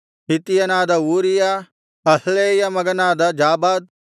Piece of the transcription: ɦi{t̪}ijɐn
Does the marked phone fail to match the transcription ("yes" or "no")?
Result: no